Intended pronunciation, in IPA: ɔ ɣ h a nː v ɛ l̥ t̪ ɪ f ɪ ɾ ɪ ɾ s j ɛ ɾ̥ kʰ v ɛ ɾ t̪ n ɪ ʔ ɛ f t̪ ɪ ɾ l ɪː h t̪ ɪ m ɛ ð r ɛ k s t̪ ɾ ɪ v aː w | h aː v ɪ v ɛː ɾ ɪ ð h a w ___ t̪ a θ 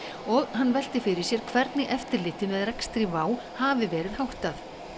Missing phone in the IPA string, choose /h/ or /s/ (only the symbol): h